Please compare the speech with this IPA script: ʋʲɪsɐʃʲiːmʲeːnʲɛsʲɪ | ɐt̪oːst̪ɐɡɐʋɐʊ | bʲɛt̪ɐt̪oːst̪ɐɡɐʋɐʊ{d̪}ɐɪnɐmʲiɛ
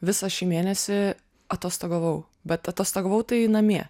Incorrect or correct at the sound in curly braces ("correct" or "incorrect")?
incorrect